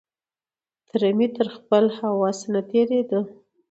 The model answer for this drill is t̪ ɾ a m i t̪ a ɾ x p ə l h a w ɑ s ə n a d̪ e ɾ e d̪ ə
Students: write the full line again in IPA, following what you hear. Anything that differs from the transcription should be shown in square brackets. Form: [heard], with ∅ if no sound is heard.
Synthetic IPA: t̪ ɾ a m i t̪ [ə] ɾ x p ə l h a w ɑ s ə n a [t̪] e ɾ e d̪ ə

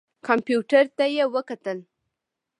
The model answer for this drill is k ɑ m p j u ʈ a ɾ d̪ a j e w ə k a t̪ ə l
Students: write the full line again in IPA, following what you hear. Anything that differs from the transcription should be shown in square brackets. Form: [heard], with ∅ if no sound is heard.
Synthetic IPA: k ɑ m p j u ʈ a ɾ [t̪] a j e w ə k a t̪ ə l

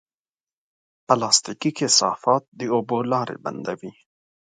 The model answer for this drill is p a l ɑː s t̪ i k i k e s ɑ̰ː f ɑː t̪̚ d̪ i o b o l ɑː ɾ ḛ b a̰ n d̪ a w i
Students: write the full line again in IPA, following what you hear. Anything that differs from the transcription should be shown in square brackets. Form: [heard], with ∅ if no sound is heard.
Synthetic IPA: p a l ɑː s t̪ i k i k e s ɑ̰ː f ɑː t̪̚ d̪ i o b o l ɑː ɾ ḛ b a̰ n d̪ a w i

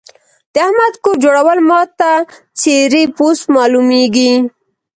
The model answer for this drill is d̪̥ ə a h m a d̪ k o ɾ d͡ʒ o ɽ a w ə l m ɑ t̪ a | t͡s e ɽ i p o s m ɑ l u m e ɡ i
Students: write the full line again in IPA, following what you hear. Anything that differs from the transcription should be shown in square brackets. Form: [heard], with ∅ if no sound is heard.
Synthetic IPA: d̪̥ ə a h m a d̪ k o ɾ d͡ʒ o ɽ a w ə l m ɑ t̪ a | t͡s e [ɾ] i p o s m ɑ l u m e ɡ i

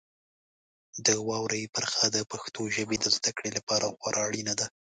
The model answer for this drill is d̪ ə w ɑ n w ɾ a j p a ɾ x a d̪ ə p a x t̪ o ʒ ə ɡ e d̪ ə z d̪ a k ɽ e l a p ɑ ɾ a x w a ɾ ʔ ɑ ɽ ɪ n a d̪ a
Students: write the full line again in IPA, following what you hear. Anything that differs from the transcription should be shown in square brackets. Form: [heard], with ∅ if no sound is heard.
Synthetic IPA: d̪ ə w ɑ [∅] w ɾ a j p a ɾ x a d̪ ə p a x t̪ o ʒ ə [b] e d̪ ə z d̪ a k ɽ e l a p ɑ ɾ a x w a ɾ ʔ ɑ ɽ [i] n a d̪ a

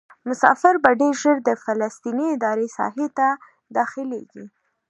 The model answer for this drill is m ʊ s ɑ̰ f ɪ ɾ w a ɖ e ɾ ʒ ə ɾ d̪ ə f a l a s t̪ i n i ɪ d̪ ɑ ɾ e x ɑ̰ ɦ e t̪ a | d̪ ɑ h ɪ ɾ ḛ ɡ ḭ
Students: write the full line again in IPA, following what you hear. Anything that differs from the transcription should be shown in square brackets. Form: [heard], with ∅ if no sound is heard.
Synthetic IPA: m ʊ s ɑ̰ f ɪ ɾ [b] a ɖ e ɾ ʒ ə ɾ d̪ ə f a l a s t̪ i n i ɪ d̪ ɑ ɾ e [s] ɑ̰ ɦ e t̪ a | d̪ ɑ [x] ɪ [l] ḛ ɡ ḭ

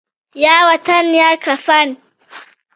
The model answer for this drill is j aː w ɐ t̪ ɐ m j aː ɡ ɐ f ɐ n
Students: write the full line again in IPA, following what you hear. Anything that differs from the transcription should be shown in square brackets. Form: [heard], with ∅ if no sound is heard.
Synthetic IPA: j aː w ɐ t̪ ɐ [n] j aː [k] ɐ f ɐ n

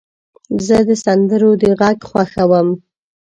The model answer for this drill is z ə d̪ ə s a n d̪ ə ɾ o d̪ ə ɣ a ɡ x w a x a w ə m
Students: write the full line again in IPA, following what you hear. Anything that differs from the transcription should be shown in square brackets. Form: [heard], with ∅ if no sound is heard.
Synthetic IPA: z ə d̪ ə s a n d̪ ə ɾ o d̪ ə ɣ a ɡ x w a x a w ə m

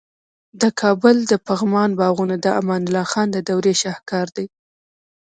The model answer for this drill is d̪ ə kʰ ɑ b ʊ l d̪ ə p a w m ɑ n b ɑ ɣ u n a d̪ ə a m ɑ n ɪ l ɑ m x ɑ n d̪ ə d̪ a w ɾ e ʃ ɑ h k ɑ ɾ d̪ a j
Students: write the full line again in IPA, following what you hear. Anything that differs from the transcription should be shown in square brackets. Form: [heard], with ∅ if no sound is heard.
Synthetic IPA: d̪ ə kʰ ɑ b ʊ l d̪ ə p a [ɣ] m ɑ n b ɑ ɣ u n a d̪ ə a m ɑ n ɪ l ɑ [∅] x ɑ n d̪ ə d̪ a w ɾ e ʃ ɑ h k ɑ ɾ d̪ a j

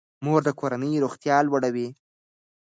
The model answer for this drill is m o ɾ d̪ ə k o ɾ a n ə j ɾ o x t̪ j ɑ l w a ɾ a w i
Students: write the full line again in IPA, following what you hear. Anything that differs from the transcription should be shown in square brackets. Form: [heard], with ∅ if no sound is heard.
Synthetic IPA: m o ɾ d̪ ə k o ɾ a n ə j ɾ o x t̪ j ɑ l w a [ɽ] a w i

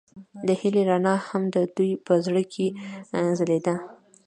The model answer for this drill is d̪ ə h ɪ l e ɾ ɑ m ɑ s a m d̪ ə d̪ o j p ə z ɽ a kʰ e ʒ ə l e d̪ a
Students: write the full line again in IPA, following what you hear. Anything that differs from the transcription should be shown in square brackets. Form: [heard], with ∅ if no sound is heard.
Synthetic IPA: d̪ ə h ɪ l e ɾ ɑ [n] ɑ [h] a m d̪ ə d̪ [u] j p ə z ɽ [ə] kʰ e [z] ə l e d̪ a

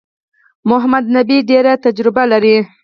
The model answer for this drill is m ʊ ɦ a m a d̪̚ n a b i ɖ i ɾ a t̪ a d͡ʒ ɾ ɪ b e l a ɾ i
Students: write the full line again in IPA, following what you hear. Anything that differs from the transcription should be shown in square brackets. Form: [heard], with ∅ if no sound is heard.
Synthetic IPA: m ʊ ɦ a m a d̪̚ n a b i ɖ [e] ɾ a t̪ a d͡ʒ ɾ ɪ b [a] l a ɾ i

